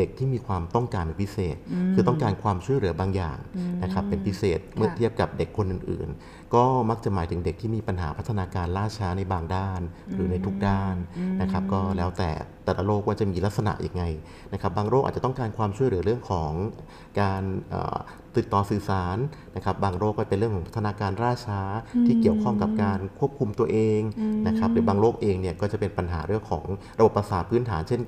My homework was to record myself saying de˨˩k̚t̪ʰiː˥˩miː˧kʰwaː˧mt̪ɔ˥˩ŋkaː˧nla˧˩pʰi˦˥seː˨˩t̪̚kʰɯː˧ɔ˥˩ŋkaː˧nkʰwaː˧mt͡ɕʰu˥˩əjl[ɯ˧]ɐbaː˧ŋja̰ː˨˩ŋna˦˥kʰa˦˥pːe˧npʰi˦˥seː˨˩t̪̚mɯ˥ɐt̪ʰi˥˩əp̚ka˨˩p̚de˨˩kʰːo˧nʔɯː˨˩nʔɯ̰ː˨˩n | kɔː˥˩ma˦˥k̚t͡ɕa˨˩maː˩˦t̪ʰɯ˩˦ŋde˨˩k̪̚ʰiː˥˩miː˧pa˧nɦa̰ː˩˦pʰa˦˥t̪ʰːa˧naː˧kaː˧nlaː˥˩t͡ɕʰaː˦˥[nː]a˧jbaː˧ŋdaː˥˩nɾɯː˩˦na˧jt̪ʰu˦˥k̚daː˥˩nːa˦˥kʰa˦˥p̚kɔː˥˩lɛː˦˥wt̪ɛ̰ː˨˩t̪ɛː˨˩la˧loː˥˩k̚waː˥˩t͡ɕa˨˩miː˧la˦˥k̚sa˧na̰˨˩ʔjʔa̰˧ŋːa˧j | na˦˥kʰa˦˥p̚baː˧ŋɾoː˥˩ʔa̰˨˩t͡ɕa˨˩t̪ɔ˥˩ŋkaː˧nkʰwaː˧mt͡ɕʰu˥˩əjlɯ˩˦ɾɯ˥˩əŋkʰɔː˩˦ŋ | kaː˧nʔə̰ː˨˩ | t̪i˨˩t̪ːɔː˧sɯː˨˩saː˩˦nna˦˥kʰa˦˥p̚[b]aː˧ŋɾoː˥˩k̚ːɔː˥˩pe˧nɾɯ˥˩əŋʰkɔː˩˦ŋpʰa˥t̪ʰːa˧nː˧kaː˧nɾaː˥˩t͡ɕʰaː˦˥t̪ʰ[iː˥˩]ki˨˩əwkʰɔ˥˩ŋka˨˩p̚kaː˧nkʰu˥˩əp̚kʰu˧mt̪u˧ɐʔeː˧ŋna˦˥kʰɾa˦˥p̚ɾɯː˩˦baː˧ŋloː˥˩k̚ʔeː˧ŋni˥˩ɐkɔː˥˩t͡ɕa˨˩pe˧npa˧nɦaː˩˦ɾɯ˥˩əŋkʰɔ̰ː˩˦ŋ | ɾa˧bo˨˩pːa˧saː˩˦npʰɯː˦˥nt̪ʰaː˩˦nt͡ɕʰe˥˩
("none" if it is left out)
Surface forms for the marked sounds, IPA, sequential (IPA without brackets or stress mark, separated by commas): ɯ˩˦, n, b, iː˥˩